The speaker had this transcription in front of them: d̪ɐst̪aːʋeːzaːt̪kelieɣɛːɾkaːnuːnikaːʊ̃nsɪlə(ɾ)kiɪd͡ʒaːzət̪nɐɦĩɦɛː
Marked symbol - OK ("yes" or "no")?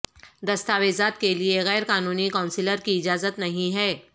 yes